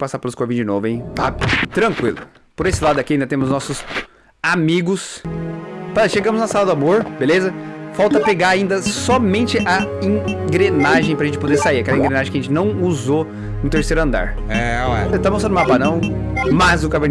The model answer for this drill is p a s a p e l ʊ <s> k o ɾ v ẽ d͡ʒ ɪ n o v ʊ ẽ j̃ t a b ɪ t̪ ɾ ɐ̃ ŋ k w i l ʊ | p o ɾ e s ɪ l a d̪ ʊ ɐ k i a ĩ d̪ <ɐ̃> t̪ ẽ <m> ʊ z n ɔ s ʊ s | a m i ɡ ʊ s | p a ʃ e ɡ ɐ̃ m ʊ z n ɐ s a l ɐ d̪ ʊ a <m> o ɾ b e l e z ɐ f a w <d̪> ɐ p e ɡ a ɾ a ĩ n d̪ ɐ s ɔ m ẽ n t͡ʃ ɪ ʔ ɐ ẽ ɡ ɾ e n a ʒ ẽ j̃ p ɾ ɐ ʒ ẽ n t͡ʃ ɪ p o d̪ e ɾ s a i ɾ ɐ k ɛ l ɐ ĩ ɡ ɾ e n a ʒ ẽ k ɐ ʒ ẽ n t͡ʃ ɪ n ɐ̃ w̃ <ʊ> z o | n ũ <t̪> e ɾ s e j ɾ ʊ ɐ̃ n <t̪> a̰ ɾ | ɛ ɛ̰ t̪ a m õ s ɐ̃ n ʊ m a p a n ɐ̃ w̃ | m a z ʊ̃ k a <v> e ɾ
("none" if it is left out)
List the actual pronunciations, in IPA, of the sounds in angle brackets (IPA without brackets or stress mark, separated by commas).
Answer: s, ɐ, m, m, t̪, u, t̪, d̪, v